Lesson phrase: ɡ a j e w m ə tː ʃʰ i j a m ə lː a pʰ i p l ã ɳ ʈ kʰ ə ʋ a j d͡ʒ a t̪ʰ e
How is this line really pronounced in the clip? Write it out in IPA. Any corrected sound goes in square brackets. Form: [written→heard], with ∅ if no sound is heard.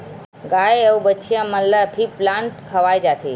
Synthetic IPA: ɡ a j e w [m→b] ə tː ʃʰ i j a m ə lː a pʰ i p l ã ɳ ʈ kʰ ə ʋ a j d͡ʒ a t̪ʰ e